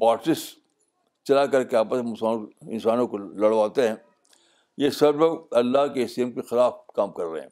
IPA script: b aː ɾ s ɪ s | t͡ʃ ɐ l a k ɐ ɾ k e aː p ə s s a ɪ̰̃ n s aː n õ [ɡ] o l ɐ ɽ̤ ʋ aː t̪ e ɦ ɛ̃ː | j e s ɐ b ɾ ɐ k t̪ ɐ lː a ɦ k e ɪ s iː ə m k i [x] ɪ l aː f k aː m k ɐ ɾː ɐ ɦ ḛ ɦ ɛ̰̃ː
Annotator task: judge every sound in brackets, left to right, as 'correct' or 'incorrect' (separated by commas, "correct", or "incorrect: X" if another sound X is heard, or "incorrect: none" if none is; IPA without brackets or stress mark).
incorrect: k, correct